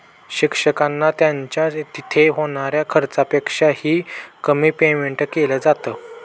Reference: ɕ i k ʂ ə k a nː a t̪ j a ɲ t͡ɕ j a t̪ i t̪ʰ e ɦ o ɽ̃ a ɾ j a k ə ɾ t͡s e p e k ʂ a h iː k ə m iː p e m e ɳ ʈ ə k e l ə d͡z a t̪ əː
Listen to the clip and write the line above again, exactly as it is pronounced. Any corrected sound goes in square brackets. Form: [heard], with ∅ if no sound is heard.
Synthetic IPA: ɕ i k ʂ ə k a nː a t̪ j a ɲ t͡ɕ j a t̪ i t̪ʰ e ɦ o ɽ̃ a ɾ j a [kʰ] ə ɾ t͡s [a] p e k ʂ a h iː k ə m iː p e m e ɳ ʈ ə k e l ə d͡z a t̪ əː

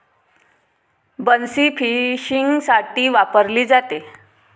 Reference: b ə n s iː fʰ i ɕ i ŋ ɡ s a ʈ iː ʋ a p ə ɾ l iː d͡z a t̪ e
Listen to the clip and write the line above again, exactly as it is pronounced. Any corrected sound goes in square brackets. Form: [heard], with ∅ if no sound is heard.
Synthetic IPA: b ə n s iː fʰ i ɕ i ŋ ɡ s a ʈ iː ʋ a p ə ɾ l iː d͡z a t̪ e

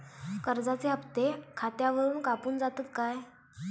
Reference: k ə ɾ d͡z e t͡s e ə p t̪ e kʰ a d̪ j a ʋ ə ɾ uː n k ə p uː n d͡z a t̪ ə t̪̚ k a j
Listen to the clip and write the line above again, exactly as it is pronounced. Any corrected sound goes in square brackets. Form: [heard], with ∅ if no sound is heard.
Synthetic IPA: k ə ɾ d͡z [a] t͡s e ə p t̪ e kʰ a [t̪] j a ʋ ə ɾ uː n k [a] p uː n d͡z a t̪ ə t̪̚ k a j

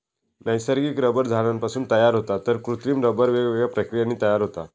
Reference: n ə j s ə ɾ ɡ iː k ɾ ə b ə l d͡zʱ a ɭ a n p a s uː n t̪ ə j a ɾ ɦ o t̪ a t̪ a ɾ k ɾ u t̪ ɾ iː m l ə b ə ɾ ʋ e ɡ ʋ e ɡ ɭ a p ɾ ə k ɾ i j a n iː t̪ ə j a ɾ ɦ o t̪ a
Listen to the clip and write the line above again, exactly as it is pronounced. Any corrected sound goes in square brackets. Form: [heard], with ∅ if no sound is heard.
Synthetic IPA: n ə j s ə ɾ ɡ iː k ɾ ə b ə [ɾ] d͡zʱ a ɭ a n p a s uː n t̪ ə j a ɾ ɦ o t̪ a t̪ [ə] ɾ k ɾ u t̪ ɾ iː m [ɾ] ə b ə ɾ ʋ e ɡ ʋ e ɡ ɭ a p ɾ ə k ɾ i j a n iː t̪ ə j a ɾ ɦ o t̪ a

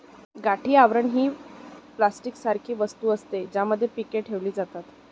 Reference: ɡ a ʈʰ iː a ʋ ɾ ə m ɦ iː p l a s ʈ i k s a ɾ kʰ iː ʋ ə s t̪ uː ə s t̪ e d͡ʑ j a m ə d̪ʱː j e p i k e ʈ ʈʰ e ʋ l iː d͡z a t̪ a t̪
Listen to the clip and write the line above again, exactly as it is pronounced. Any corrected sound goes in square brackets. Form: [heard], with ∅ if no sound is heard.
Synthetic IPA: ɡ a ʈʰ iː a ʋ ɾ ə [ɳ] ɦ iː p l a s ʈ i k s a ɾ kʰ iː ʋ ə s t̪ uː ə s t̪ e d͡ʑ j a m ə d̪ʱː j e p i k e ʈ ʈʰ e ʋ l iː d͡z a t̪ a t̪

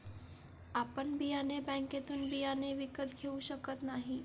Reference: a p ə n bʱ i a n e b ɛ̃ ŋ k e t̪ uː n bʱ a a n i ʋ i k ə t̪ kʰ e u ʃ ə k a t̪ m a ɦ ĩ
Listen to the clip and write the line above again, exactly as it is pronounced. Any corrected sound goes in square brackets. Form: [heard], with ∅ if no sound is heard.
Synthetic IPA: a p ə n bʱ i a n e b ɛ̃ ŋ k e t̪ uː n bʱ [i] a n [e] ʋ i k ə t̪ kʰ e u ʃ ə k [ə] t̪ [n] a ɦ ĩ

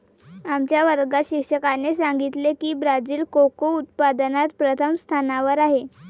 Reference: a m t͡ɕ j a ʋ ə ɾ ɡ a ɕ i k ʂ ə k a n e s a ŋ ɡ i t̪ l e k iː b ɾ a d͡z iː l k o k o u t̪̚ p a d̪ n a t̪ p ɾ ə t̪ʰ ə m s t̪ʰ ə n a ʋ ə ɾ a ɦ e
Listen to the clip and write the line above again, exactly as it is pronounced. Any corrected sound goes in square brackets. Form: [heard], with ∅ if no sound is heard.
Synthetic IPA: a m t͡ɕ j a ʋ ə ɾ ɡ a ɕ i k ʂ ə k a n e s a ŋ ɡ i t̪ l e k iː b ɾ a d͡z iː l k o k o u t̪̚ p a d̪ n a t̪ p ɾ ə t̪ʰ ə m s t̪ʰ [a] n a ʋ ə ɾ a ɦ e

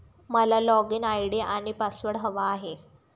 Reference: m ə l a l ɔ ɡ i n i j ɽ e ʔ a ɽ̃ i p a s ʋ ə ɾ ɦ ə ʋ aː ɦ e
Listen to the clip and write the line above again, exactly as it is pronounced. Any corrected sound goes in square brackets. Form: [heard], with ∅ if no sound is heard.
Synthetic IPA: m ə l a l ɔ ɡ i n [a] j ɽ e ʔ a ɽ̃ i p a s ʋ ə [ɽ] ɦ ə ʋ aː ɦ e

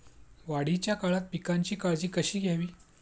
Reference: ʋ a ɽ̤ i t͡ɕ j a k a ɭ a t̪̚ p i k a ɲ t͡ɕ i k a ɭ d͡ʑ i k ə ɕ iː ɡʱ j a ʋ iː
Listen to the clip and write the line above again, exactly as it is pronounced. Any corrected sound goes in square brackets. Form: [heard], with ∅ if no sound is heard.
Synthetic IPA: ʋ a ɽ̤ i t͡ɕ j a k a ɭ a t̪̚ p i k a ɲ t͡ɕ [iː] k a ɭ d͡ʑ [iː] k ə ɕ iː ɡʱ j a ʋ iː

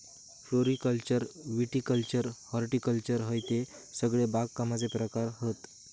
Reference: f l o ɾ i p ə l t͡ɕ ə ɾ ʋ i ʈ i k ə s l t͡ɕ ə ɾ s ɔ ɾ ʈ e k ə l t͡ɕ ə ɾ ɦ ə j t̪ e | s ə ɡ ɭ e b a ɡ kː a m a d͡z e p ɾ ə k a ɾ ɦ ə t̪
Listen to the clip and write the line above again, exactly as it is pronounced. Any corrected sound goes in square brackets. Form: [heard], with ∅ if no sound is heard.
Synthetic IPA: f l o ɾ i [k] ə l t͡ɕ ə ɾ ʋ i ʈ i k ə [∅] l t͡ɕ ə ɾ [h] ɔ ɾ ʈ [i] k ə l t͡ɕ ə ɾ ɦ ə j t̪ e | s ə ɡ ɭ e b a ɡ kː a m a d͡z e p ɾ ə k a ɾ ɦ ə t̪

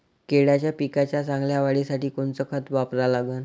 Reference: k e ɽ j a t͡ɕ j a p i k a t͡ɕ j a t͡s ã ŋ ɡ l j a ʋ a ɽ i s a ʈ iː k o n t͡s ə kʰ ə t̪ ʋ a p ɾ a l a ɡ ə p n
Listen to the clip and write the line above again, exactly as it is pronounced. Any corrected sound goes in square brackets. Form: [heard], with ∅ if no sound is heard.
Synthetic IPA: k e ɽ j a t͡ɕ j a p i k a t͡ɕ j a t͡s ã ŋ ɡ l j a ʋ a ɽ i s a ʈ iː k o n t͡s ə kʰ ə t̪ ʋ a p ɾ a l a ɡ ə [∅] n

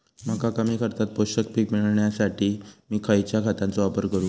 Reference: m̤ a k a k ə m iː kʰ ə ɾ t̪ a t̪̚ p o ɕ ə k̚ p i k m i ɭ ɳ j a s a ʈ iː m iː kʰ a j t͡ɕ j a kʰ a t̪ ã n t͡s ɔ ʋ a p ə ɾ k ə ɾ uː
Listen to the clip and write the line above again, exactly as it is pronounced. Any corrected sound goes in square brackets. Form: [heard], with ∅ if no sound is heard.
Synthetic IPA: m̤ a k a k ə m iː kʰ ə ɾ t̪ a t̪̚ p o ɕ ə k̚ p i k m i ɭ ɳ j a s a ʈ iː m iː kʰ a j t͡ɕ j a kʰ a t̪ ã n t͡s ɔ ʋ a p ə ɾ k ə ɾ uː

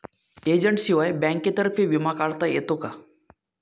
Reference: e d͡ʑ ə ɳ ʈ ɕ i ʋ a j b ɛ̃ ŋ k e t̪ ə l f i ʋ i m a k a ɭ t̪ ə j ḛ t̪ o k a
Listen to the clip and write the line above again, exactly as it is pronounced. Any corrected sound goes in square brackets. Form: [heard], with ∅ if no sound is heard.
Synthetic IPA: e d͡ʑ ə ɳ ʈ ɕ i ʋ a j b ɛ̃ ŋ k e t̪ ə [ɾ] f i ʋ i m a k a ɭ t̪ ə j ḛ t̪ o k a

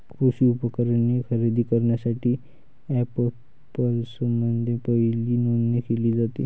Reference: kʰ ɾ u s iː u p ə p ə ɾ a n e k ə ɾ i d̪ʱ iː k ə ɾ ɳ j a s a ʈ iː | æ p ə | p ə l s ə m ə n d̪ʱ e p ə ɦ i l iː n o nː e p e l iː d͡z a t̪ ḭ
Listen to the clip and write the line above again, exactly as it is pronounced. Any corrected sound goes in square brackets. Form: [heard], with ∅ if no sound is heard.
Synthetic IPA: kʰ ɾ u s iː u p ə [k] ə ɾ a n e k ə ɾ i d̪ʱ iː k ə ɾ ɳ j a s a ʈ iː | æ p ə | p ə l s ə m ə n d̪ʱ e p ə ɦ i l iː n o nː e [k] e l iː d͡z a t̪ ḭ

